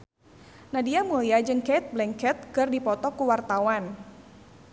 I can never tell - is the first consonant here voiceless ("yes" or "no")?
no